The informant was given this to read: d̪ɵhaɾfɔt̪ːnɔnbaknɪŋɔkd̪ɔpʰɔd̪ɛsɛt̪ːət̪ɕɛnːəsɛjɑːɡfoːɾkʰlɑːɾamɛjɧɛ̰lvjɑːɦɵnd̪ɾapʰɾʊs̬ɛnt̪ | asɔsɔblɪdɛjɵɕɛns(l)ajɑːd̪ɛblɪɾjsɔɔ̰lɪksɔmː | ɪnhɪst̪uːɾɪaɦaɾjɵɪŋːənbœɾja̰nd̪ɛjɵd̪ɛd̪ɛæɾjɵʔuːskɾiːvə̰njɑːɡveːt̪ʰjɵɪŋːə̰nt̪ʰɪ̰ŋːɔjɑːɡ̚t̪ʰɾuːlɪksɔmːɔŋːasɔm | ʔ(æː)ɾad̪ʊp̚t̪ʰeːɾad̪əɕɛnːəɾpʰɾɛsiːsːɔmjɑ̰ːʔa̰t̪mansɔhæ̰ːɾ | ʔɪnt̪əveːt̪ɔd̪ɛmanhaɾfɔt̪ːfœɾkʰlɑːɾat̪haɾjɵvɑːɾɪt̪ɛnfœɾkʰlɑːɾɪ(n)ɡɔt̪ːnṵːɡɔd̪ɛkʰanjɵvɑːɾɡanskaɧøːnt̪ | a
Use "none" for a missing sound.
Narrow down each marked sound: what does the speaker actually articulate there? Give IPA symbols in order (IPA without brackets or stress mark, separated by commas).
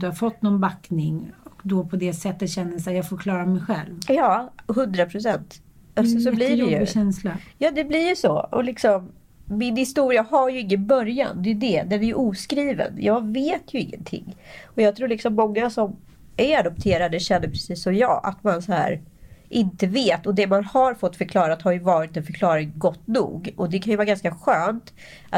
l, æ, ŋ